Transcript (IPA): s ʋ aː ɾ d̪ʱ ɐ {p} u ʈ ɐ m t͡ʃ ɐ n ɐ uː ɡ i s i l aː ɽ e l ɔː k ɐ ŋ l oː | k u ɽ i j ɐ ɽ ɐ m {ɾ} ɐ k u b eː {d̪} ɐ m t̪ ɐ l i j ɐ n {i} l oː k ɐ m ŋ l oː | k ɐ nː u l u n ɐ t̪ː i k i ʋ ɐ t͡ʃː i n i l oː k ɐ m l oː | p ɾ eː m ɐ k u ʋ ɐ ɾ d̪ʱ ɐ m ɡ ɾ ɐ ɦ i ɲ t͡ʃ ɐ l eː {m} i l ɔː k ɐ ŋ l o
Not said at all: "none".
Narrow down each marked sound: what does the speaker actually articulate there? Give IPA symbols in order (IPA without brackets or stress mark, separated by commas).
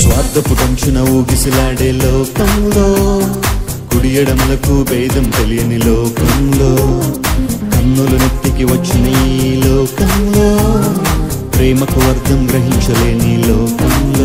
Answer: p, l, d̪, i, n